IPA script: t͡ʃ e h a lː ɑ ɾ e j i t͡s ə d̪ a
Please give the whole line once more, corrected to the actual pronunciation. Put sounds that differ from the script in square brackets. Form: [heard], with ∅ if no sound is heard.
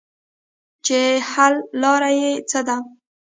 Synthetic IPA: t͡ʃ e h a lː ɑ ɾ [a] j [e] t͡s ə d̪ a